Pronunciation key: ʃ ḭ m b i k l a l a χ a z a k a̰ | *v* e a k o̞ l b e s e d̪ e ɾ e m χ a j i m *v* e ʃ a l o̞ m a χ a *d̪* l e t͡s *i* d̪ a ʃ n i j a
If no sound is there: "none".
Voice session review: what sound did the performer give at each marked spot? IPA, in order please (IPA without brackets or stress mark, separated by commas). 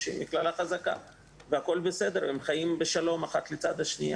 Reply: v, b, t̪, a